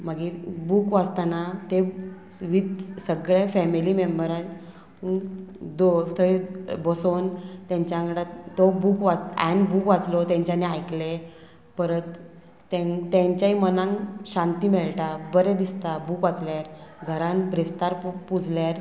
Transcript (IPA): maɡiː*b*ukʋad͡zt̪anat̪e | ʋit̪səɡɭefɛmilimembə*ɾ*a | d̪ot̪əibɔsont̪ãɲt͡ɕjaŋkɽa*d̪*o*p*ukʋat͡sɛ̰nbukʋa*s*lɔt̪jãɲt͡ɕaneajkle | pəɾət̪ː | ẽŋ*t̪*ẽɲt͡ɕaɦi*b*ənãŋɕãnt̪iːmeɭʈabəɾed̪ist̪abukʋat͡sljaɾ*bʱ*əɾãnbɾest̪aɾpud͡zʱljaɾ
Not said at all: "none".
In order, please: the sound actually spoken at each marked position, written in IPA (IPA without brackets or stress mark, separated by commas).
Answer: b, ɾ, t̪, b, t͡s, t̪, m, ɡʱ